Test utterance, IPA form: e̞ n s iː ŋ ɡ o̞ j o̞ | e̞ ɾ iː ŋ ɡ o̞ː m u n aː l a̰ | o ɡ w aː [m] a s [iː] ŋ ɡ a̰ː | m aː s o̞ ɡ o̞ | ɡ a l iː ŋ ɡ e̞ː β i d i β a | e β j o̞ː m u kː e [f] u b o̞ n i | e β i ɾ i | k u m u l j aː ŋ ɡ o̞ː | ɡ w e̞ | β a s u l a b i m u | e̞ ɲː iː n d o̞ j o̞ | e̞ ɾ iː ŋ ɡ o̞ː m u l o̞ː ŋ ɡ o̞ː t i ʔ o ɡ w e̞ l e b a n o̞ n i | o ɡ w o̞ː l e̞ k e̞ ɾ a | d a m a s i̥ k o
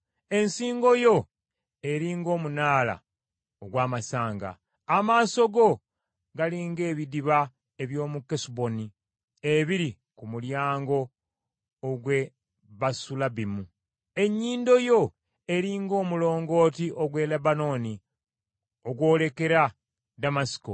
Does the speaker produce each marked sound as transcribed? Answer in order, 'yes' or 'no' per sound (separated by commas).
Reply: yes, no, no